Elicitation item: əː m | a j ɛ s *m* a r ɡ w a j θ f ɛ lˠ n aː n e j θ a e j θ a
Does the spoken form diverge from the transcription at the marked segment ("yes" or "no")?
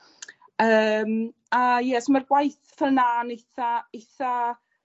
no